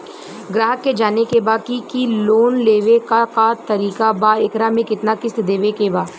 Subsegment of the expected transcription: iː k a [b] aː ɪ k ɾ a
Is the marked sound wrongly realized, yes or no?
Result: no